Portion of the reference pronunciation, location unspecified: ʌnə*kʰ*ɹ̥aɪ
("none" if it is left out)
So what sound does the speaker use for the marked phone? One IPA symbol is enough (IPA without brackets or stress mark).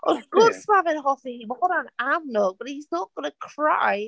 kʰ